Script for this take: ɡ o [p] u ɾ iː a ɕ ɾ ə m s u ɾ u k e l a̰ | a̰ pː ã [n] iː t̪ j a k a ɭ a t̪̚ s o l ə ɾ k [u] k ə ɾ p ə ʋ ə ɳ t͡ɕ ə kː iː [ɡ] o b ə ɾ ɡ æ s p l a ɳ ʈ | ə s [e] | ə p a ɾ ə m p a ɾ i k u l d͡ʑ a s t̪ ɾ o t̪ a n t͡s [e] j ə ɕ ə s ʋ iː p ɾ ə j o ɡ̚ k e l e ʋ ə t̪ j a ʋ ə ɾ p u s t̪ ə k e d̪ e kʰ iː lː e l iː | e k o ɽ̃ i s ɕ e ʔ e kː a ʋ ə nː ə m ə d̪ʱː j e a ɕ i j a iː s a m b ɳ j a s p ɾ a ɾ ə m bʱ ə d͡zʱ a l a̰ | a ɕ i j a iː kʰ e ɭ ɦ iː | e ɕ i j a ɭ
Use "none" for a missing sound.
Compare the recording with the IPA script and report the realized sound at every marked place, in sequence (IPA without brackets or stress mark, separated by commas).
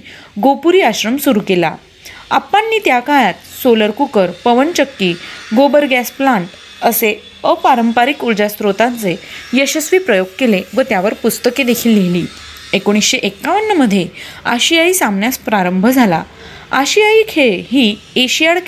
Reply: p, nː, u, ɡ, e, e